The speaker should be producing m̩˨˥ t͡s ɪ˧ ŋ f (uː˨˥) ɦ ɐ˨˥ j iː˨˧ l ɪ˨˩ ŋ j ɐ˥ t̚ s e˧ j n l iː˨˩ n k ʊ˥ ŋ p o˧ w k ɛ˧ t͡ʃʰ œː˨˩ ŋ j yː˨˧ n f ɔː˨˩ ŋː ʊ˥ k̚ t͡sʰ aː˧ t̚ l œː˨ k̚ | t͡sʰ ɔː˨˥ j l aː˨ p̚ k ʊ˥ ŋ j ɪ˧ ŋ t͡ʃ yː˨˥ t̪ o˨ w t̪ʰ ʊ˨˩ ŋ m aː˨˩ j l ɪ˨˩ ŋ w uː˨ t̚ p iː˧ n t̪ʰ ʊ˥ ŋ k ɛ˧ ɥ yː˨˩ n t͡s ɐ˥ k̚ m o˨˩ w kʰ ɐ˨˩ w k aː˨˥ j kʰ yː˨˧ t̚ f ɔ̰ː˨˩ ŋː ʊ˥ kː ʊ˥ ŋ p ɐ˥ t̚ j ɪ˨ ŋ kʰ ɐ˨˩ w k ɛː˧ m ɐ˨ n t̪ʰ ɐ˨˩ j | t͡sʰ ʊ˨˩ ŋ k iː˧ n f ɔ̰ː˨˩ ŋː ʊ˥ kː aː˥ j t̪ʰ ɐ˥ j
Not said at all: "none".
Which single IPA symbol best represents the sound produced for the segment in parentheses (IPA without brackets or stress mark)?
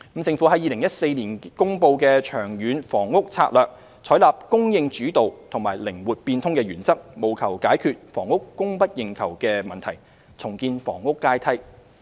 u˨˥